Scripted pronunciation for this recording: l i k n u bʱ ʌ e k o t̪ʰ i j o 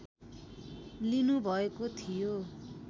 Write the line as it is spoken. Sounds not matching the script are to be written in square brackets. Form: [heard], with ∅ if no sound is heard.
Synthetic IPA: l i [∅] n u bʱ ʌ e k o t̪ʰ i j o